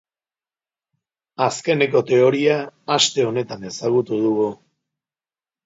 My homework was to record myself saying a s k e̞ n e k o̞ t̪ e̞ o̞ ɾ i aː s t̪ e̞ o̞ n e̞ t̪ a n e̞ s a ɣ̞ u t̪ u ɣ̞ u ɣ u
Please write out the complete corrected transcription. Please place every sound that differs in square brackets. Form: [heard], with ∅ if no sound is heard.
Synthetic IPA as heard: a s k e̞ n e k o̞ t̪ e̞ o̞ ɾ i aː s t̪ e̞ o̞ n e̞ t̪ a n e̞ s a ɣ̞ u t̪ u [ð̞] u ɣ u